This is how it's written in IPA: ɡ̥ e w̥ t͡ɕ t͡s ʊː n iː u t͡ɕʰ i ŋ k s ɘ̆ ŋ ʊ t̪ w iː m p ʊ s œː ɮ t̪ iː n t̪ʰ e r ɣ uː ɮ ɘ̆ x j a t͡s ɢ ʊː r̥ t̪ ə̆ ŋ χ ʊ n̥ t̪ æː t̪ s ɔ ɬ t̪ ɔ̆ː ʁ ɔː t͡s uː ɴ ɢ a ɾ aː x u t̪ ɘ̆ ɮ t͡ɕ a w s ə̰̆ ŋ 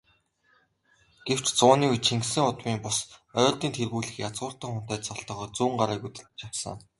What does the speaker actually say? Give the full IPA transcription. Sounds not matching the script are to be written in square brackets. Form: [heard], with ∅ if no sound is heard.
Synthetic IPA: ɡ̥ e w̥ t͡ɕ t͡s ʊː n iː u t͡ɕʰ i ŋ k s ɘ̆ ŋ ʊ t̪ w iː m p ʊ s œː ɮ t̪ iː n t̪ʰ e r ɣ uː ɮ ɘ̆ x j a t͡s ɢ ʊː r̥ t̪ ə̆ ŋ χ ʊ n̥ t̪ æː t̪ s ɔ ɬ t̪ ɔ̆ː [χ] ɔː t͡s uː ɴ ɢ a ɾ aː [k] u t̪ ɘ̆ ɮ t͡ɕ a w s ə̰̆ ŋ